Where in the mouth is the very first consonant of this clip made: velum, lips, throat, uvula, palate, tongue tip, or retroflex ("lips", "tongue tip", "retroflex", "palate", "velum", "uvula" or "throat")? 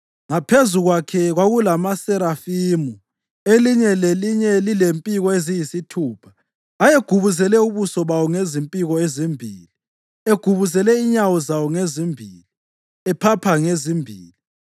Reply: velum